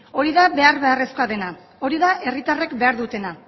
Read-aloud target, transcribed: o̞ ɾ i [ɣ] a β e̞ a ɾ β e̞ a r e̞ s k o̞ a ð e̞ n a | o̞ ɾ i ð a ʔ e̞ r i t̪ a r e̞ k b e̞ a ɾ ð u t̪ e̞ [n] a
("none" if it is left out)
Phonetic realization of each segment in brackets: ð, n

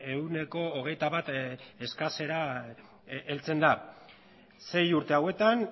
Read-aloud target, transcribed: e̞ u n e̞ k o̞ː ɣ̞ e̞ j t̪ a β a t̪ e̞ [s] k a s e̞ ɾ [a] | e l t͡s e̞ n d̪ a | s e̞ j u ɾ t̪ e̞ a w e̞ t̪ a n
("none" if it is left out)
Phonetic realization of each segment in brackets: s, a

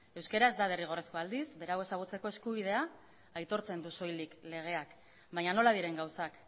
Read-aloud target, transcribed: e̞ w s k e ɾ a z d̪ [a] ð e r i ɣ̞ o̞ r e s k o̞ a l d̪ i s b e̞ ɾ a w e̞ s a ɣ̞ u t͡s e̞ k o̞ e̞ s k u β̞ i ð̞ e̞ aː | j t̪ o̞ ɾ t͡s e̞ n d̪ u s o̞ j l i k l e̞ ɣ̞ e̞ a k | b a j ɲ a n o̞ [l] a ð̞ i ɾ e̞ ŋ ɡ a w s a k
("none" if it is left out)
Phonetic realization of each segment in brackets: a, l

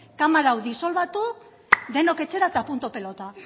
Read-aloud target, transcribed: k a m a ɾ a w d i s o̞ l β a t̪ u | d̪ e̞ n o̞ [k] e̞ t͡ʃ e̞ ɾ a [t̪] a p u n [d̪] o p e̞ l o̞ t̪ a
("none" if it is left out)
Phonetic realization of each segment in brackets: k, t̪, t̪

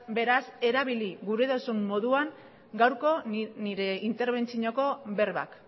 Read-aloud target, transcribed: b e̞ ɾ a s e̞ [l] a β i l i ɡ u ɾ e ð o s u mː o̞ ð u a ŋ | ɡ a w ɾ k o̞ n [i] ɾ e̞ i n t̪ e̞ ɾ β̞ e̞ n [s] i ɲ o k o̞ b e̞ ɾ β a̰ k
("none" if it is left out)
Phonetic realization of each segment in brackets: ɾ, i, t͡s

